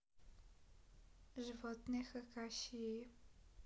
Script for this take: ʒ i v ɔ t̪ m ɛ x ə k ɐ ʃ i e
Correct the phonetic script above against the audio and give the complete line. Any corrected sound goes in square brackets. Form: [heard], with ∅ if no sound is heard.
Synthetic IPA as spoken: ʒ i v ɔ t̪ [n] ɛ x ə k [a] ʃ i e